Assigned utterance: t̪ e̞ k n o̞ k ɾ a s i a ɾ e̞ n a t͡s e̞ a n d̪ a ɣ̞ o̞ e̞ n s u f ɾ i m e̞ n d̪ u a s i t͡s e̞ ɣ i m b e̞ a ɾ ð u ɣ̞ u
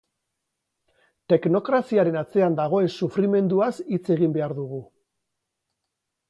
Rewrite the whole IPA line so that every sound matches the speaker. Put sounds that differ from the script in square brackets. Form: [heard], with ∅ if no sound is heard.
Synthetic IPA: t̪ e̞ k n o̞ k ɾ a s i a ɾ e̞ n a t͡s e̞ a n d̪ a ɣ̞ o̞ e̞ n s u f ɾ i m e̞ n d̪ u a s i t͡s e̞ ɣ i m b e̞ a ɾ ð u ɣ̞ u

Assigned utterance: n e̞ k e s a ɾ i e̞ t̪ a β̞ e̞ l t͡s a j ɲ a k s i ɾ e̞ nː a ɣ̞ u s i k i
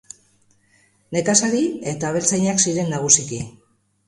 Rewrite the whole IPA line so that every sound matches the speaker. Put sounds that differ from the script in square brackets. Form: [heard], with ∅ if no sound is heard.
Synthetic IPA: n e̞ k [a] s a ɾ i e̞ t̪ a β̞ e̞ l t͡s a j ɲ a k s i ɾ e̞ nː a ɣ̞ u s i k i

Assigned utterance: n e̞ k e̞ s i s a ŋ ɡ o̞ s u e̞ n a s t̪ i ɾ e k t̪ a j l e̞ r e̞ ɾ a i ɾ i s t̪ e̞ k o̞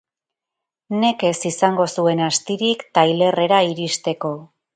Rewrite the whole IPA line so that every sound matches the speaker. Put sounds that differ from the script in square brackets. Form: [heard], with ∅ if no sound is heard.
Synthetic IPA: n e̞ k e̞ s i s a ŋ ɡ o̞ s u e̞ n a s t̪ i ɾ [i] k t̪ a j l e̞ r e̞ ɾ a i ɾ i s t̪ e̞ k o̞

